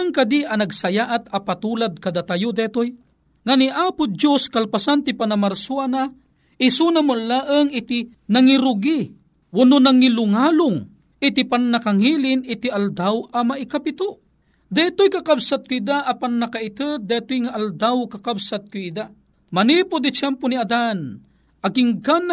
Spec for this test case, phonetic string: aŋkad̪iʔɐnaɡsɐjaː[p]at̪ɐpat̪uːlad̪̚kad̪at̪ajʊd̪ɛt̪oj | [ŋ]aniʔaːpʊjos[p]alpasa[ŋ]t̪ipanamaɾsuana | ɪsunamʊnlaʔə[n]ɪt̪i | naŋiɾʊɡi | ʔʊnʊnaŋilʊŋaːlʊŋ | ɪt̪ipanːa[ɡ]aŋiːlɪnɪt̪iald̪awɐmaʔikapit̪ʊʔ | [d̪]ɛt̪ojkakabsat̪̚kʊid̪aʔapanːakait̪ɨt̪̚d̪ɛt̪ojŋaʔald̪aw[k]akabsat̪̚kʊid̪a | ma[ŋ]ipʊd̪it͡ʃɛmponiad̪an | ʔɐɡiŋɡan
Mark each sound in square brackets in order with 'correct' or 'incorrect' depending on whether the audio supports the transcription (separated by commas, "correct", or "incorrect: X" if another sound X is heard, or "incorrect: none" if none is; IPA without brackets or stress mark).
incorrect: ʔ, correct, incorrect: k, incorrect: n, incorrect: ŋ, incorrect: k, correct, correct, incorrect: n